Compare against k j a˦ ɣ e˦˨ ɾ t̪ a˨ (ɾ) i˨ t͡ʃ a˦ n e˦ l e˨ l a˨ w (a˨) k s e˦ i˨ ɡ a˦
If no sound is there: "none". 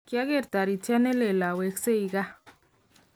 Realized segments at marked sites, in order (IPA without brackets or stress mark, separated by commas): ɾ, e˨